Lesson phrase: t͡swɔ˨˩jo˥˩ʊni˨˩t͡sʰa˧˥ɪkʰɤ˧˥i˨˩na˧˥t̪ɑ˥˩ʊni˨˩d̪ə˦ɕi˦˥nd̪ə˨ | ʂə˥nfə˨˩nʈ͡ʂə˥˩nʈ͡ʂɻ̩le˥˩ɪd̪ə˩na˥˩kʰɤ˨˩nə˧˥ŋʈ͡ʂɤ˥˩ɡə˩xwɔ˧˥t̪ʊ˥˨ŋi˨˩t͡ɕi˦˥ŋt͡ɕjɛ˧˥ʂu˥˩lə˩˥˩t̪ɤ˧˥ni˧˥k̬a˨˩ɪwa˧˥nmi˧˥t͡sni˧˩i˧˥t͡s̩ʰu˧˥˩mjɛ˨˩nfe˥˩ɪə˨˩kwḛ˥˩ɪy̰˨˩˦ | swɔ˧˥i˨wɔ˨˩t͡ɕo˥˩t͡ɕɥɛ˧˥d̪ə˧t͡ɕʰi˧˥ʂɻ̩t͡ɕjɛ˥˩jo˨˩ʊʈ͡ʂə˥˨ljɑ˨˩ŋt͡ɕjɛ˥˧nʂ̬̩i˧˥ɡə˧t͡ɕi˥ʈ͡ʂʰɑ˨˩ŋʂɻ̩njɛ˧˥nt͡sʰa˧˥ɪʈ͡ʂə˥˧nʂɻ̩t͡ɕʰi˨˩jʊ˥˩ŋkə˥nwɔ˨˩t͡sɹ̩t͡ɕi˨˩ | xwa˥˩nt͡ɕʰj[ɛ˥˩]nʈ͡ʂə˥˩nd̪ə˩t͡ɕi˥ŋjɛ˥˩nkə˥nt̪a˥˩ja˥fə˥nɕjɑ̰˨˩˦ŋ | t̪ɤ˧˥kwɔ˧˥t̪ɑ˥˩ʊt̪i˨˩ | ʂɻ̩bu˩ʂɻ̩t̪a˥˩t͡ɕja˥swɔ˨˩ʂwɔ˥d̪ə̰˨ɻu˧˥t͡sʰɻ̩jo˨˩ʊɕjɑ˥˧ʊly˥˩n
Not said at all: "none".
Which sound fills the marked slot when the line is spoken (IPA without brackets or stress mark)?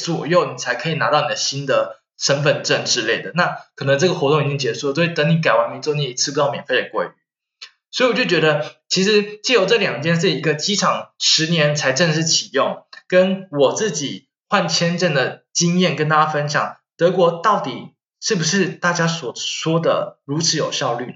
ɛ˥